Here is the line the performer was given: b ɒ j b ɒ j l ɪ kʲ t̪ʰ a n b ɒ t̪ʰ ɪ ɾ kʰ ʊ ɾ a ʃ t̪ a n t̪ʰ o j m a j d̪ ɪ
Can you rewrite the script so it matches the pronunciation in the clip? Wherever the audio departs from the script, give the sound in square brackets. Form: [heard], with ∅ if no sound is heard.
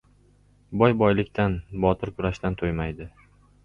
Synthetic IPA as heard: b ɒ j b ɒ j l ɪ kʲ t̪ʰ a n b ɒ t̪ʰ ɪ ɾ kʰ ʊ ɾ a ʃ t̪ a n t̪ʰ o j m a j d̪ ɪ